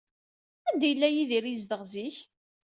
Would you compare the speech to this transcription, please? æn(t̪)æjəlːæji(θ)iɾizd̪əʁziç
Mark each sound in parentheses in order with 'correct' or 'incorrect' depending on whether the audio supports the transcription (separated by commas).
incorrect, incorrect